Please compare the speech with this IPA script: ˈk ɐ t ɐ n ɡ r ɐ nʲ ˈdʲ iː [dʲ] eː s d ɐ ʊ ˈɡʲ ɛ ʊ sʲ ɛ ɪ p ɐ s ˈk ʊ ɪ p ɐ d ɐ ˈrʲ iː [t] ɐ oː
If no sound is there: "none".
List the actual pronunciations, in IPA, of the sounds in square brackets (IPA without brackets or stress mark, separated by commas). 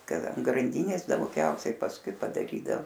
nʲ, d